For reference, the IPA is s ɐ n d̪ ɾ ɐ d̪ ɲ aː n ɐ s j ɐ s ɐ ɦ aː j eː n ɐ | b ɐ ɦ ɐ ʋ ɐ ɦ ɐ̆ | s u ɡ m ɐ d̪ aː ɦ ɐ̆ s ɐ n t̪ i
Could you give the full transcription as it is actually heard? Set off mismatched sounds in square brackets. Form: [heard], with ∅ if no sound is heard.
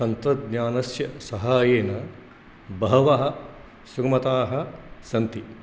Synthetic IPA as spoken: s ɐ n [t̪] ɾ ɐ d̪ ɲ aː n ɐ s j ɐ s ɐ ɦ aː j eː n ɐ | b ɐ ɦ ɐ ʋ ɐ ɦ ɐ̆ | s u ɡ m ɐ [t̪] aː ɦ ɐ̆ s ɐ n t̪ i